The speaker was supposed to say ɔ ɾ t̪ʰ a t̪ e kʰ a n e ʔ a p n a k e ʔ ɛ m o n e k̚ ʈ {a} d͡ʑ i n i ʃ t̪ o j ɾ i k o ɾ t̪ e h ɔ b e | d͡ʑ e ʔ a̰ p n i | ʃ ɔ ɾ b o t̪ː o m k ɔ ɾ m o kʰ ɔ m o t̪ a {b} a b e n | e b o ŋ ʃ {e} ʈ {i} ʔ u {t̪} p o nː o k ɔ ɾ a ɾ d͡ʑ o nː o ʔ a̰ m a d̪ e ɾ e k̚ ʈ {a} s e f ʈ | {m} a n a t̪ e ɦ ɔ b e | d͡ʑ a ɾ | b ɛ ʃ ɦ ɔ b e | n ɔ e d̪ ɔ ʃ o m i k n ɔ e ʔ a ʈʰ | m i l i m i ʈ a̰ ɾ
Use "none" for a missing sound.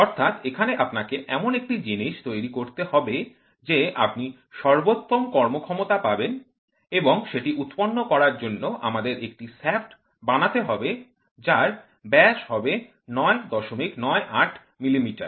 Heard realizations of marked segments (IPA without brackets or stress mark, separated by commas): i, p, e, i, t̪, i, b